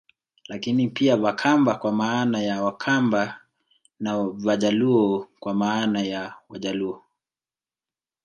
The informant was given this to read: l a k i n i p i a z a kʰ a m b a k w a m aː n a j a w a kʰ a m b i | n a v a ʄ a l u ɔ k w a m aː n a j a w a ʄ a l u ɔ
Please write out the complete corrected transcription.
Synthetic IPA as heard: l a k i n i p i a v a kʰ a m b a k w a m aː n a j a w a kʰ a m b a | n a v a ʄ a l u ɔ k w a m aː n a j a w a ʄ a l u ɔ